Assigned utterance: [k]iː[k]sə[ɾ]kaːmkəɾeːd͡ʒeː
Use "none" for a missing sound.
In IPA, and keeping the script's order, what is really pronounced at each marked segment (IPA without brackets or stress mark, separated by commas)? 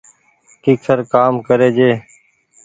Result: k, k, ɾ